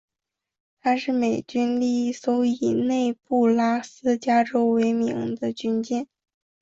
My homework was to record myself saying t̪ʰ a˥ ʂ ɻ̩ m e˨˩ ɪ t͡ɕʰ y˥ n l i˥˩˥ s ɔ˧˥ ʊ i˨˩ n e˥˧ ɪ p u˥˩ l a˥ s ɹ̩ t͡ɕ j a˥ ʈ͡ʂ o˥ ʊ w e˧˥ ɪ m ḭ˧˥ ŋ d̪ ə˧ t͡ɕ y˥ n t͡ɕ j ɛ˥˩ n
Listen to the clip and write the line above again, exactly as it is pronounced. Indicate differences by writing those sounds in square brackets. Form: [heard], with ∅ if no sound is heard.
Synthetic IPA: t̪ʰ a˥ ʂ ɻ̩ m e˨˩ ɪ [t͡ɕ] y˥ n l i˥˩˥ s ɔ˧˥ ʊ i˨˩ n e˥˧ ɪ p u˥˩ l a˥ s ɹ̩ t͡ɕ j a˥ ʈ͡ʂ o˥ ʊ w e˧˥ ɪ m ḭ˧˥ ŋ d̪ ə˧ t͡ɕ y˥ n t͡ɕ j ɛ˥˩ n